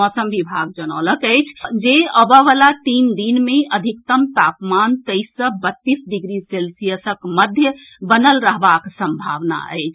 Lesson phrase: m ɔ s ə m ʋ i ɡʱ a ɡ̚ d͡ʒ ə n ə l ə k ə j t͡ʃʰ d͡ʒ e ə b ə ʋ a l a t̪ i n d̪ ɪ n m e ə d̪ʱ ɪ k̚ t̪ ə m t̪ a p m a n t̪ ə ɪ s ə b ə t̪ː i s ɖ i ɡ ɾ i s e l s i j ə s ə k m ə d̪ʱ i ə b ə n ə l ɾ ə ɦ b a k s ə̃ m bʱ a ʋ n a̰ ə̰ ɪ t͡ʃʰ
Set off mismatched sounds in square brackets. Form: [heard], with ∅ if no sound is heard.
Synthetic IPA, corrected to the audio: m ɔ s ə m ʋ i [bʱ] a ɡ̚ d͡ʒ ə n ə l ə k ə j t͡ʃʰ d͡ʒ e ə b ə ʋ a l a t̪ i n d̪ [i] n m e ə d̪ʱ [i] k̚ t̪ ə m t̪ a p m a n t̪ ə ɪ s ə b ə t̪ː i s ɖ i ɡ ɾ i s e l s i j ə s ə k m ə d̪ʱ [j] ə b ə n ə l ɾ ə ɦ b a k s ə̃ m bʱ a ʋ n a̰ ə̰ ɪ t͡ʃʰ